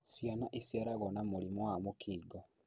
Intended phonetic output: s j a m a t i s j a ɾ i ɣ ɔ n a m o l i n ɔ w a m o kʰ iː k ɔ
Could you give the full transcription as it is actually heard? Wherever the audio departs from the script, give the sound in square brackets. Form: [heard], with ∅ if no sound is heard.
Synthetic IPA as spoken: s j a [n] a [ʔ] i s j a ɾ [a] ɣ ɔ n a m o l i [m] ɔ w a m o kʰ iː [ɡ] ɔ